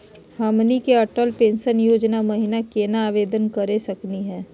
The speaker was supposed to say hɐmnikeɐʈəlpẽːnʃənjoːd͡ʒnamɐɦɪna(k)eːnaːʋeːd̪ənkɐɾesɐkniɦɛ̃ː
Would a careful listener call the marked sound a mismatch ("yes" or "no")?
no